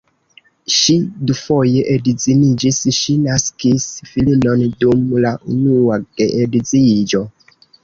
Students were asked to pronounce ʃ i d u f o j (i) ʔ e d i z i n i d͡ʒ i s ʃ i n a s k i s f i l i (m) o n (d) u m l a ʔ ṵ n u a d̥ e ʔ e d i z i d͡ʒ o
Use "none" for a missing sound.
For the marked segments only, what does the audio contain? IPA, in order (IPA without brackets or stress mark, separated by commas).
e, n, d